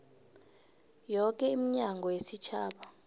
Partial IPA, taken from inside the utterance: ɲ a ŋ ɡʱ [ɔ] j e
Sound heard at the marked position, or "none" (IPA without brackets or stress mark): ɔ